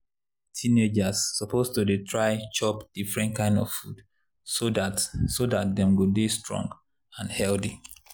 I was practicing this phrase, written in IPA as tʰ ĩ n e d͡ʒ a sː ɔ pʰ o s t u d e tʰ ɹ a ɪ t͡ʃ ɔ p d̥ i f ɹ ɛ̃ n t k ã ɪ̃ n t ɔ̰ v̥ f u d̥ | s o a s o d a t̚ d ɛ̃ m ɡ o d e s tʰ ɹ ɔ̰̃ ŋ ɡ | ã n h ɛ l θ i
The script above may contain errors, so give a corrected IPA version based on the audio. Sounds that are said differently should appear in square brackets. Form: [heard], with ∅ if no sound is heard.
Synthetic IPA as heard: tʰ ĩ n e d͡ʒ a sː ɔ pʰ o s t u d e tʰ ɹ a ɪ t͡ʃ ɔ p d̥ i f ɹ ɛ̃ n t k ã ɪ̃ n [d] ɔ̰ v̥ f u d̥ | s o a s o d a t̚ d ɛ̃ m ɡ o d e s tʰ ɹ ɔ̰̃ ŋ ɡ | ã n h ɛ l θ i